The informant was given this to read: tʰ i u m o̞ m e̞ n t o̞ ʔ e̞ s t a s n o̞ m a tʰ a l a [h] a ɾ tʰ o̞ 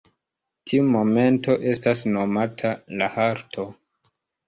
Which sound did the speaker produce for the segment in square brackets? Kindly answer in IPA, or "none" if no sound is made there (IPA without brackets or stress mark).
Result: h